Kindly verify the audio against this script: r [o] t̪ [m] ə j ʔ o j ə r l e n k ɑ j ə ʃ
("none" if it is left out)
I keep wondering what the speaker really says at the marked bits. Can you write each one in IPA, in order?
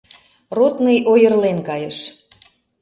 o, n

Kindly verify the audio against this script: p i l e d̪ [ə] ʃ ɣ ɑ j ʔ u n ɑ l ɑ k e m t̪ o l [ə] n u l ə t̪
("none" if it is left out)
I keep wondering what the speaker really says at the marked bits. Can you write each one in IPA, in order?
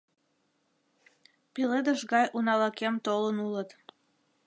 ə, ə

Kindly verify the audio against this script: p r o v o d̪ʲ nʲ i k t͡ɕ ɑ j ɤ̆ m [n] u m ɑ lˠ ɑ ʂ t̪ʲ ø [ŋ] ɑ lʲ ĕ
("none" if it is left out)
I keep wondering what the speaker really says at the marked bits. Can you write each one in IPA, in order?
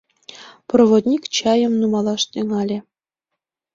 n, ŋ

